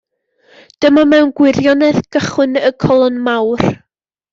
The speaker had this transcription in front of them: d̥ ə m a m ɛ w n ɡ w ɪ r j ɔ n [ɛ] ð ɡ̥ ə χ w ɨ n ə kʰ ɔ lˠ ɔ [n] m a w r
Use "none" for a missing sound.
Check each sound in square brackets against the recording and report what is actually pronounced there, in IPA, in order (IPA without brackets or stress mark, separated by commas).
ɛ, n